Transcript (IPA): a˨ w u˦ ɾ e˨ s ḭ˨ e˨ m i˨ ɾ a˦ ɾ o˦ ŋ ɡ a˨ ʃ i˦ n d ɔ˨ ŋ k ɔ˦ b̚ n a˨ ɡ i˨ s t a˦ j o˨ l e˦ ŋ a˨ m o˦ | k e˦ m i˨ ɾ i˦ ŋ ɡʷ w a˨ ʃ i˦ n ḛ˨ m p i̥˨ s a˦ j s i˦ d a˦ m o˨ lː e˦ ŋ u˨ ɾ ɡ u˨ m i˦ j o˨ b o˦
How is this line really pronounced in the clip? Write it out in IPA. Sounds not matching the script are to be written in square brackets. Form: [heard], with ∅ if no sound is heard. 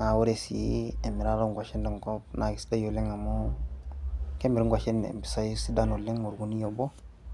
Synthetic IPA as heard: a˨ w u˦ ɾ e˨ s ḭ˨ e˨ m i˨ ɾ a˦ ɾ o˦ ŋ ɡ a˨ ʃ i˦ n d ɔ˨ ŋ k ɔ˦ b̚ n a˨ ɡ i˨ s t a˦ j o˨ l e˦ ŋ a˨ m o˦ | k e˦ m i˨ ɾ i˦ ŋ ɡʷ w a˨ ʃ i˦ n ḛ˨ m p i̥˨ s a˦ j s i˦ d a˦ [n] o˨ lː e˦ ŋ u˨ ɾ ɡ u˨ [n] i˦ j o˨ b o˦